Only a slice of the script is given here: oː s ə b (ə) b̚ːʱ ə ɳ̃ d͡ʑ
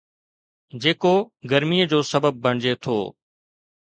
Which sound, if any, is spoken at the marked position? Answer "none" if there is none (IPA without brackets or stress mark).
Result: ə